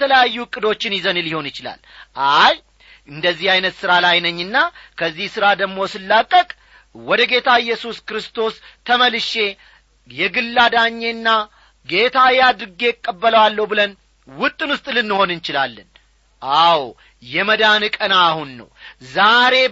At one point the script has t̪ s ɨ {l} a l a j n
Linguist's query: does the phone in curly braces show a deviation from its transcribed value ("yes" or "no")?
yes